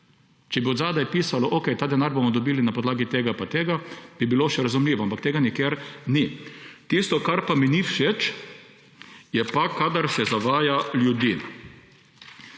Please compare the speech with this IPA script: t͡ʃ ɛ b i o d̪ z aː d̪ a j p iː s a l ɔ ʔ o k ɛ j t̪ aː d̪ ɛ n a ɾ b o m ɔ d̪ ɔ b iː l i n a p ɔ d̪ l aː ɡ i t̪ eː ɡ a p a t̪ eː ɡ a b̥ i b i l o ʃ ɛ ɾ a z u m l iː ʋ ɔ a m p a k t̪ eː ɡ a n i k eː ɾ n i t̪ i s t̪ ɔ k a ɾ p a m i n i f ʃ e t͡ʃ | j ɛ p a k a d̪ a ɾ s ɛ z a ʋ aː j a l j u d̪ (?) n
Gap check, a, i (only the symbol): i